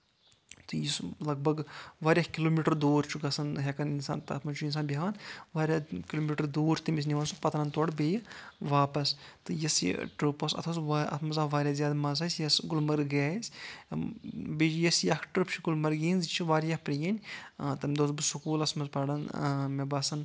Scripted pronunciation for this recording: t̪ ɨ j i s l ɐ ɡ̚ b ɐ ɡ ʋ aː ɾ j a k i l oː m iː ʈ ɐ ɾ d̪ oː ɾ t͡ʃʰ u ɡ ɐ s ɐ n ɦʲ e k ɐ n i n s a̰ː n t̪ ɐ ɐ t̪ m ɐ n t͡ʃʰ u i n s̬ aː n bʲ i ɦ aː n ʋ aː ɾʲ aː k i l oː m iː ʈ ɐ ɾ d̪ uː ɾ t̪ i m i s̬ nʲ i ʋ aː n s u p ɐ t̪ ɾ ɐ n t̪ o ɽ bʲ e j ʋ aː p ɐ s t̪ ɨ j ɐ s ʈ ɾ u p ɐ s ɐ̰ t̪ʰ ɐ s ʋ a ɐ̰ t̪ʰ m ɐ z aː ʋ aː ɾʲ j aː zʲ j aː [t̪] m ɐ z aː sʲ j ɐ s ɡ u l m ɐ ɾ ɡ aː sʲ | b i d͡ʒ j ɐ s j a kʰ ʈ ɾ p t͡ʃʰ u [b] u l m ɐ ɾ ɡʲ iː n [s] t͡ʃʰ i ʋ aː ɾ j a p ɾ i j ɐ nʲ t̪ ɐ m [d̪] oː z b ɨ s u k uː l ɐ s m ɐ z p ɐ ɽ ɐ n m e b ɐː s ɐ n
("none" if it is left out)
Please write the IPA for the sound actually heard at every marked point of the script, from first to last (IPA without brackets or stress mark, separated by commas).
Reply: d̪, ɡ, z, d̪